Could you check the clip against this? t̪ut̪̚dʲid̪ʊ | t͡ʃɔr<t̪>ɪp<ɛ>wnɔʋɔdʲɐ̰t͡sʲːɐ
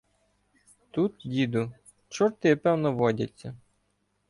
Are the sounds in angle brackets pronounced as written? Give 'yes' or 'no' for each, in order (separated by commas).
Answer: yes, yes